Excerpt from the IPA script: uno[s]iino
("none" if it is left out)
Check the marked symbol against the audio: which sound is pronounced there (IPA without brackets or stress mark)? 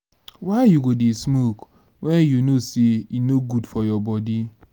s